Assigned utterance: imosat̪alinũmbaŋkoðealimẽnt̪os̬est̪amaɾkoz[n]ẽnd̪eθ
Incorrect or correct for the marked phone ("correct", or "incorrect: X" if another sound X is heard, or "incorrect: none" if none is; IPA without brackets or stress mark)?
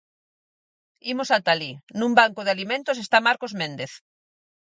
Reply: incorrect: m